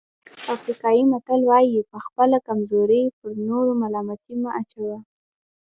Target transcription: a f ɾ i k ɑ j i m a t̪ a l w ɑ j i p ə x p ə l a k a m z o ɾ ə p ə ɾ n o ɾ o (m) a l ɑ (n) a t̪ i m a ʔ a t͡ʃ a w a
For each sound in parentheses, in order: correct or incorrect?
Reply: correct, incorrect

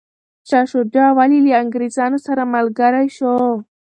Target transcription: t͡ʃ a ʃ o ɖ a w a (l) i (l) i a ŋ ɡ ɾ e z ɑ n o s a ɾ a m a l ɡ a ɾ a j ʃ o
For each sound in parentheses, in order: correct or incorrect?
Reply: correct, correct

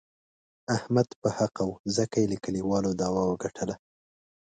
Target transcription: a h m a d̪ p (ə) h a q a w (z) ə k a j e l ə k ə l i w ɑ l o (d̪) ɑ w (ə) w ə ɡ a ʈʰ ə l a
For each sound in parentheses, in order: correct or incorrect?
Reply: correct, correct, correct, incorrect

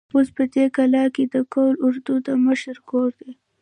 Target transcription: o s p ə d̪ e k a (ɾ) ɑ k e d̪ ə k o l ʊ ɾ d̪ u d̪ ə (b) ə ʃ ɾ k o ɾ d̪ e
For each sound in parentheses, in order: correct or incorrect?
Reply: incorrect, incorrect

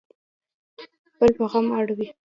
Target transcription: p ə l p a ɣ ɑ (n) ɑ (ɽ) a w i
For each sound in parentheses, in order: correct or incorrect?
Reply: incorrect, correct

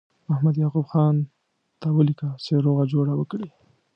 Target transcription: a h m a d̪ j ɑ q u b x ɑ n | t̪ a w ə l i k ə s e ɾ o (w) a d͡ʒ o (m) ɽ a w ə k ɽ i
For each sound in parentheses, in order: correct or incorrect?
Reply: incorrect, incorrect

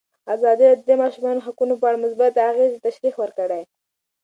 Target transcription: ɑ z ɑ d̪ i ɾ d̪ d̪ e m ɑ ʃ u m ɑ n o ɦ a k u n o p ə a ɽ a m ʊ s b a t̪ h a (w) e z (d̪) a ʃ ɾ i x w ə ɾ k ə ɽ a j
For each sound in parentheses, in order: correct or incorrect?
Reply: incorrect, incorrect

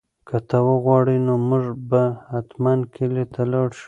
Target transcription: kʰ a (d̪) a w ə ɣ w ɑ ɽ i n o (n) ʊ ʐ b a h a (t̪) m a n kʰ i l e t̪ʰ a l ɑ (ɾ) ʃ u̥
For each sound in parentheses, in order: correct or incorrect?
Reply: incorrect, incorrect, correct, incorrect

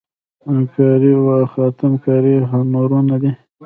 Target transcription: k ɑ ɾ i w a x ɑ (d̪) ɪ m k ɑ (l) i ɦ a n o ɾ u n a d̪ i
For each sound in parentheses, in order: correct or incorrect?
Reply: incorrect, incorrect

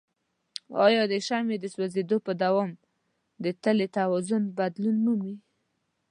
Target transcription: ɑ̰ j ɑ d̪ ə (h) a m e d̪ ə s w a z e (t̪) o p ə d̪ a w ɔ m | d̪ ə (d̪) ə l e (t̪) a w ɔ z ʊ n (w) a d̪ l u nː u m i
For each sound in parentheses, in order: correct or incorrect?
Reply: incorrect, incorrect, incorrect, correct, incorrect

